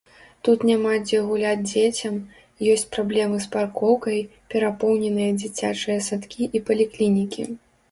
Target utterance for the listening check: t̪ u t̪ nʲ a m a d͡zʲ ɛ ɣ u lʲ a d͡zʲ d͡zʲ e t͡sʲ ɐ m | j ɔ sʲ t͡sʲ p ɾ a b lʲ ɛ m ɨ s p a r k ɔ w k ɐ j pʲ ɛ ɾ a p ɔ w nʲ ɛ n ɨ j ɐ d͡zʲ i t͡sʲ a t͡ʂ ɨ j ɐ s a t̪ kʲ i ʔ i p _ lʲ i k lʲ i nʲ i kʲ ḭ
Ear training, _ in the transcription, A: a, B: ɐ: B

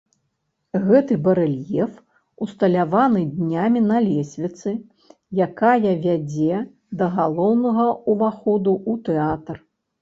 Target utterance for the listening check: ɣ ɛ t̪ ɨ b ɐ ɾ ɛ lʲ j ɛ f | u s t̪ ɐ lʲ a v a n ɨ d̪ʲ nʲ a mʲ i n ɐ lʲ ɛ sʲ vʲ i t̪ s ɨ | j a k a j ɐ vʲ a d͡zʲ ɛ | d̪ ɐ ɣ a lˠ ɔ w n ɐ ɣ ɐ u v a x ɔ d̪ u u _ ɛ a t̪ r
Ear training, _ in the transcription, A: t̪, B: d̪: A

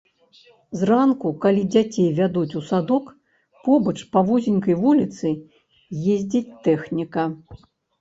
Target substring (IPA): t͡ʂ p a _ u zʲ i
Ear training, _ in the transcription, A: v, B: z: A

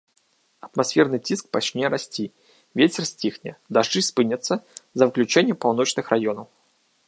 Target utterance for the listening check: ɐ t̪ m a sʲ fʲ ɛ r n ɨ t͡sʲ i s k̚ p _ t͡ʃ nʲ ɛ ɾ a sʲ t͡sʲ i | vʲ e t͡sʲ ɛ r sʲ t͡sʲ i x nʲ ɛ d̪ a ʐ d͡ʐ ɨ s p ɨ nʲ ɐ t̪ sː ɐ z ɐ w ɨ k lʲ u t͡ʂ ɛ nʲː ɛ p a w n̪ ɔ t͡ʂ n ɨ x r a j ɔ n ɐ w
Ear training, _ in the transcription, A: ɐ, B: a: B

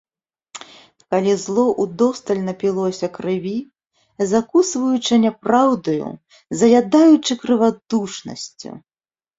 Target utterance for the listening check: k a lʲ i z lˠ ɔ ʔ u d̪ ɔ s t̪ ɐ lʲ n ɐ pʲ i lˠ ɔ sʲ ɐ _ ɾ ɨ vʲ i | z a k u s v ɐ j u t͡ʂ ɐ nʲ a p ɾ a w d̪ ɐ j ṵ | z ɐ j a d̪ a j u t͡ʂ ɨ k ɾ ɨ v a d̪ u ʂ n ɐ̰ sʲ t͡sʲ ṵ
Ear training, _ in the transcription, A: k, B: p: A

